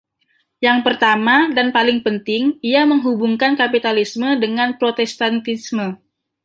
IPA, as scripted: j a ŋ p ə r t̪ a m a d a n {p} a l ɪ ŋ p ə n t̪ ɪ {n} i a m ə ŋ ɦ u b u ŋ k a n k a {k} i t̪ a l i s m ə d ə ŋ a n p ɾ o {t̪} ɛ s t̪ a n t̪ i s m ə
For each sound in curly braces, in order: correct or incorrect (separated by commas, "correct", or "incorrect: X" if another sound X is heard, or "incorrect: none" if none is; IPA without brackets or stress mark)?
correct, incorrect: ŋ, incorrect: p, correct